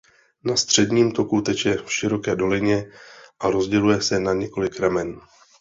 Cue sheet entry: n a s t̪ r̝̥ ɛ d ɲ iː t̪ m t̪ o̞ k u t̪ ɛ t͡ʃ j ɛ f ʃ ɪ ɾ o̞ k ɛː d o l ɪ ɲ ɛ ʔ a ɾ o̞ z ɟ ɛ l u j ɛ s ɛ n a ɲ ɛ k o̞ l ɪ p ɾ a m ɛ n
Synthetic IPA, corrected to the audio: n a s t̪ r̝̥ ɛ d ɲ iː m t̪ o̞ k u t̪ ɛ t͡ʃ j ɛ f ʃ ɪ ɾ o̞ k ɛː d o l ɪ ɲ ɛ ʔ a ɾ o̞ z ɟ ɛ l u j ɛ s ɛ n a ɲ ɛ k o̞ l ɪ k ɾ a m ɛ n